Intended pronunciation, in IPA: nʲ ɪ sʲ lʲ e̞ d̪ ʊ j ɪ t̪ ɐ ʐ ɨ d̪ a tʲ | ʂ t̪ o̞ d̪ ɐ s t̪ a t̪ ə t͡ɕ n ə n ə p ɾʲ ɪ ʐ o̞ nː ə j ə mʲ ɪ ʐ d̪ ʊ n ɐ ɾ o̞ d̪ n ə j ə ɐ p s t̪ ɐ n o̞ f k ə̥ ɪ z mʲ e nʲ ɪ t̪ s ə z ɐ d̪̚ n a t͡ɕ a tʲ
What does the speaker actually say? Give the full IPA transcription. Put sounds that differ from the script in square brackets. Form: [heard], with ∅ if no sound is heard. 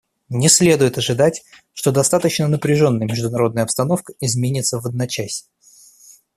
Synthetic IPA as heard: nʲ ɪ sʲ lʲ e̞ d̪ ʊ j ɪ t̪ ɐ ʐ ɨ d̪ a tʲ | ʂ t̪ o̞ d̪ ɐ s t̪ a t̪ ə t͡ɕ n ə n ə p ɾʲ ɪ ʐ o̞ nː ə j ə mʲ ɪ ʐ d̪ ʊ n ɐ ɾ o̞ d̪ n ə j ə ɐ p s t̪ ɐ n o̞ f k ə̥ ɪ z mʲ e nʲ ɪ t̪ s ə [v] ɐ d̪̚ n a t͡ɕ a [sʲ]